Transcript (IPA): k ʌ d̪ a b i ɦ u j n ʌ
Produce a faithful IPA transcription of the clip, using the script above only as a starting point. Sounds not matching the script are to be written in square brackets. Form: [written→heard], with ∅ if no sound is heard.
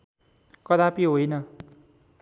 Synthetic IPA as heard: k ʌ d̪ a [b→p] i ɦ [u→o] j n ʌ